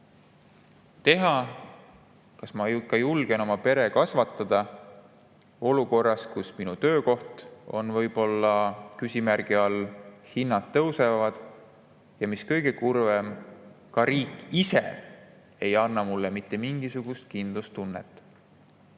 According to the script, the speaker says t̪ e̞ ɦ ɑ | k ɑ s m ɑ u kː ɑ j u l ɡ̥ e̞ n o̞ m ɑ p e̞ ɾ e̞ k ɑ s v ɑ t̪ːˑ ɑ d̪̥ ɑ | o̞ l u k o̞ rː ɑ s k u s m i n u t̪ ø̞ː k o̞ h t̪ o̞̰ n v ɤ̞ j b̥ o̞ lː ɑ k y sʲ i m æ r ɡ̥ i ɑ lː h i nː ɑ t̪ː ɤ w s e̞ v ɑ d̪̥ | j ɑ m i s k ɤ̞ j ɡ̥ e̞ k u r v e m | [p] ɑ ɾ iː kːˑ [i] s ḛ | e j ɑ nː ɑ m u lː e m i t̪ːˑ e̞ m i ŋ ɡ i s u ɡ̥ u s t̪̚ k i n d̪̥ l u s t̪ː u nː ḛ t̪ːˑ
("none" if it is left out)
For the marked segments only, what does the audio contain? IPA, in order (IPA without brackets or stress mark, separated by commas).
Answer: k, i